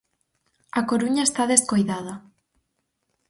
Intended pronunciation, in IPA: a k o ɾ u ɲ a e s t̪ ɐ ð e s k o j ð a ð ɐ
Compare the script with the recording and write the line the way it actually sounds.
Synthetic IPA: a k o ɾ u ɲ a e s t̪ a ð e s k o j ð a ð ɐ